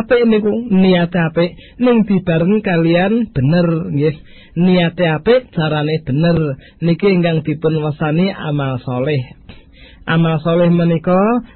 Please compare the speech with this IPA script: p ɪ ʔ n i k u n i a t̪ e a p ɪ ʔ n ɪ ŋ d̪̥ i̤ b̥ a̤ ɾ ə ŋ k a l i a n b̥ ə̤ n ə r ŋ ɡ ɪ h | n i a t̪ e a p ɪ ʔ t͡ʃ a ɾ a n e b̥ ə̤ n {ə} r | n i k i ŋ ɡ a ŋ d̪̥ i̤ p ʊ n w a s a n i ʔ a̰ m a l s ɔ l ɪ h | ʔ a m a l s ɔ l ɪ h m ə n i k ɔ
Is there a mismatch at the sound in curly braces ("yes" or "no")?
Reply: no